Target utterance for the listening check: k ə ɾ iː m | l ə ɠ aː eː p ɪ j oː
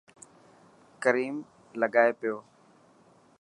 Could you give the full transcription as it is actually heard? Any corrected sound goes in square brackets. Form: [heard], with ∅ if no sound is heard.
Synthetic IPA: k ə ɾ iː m | l ə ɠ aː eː p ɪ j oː